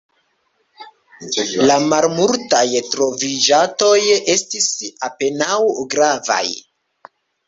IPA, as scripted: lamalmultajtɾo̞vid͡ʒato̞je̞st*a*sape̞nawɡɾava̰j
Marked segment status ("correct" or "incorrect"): incorrect